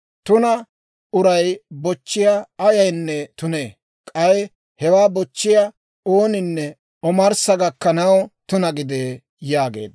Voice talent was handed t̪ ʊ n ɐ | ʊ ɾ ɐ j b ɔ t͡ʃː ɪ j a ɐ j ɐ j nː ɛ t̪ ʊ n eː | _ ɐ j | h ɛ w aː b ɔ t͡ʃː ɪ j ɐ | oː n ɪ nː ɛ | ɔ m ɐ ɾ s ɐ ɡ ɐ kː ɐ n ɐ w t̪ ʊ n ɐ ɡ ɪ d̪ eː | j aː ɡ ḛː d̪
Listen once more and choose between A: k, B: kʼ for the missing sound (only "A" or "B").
B